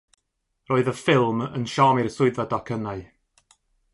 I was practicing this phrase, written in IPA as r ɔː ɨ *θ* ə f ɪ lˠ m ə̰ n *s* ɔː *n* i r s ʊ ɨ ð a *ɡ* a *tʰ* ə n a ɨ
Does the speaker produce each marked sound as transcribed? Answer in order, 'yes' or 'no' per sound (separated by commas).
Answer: no, no, no, no, no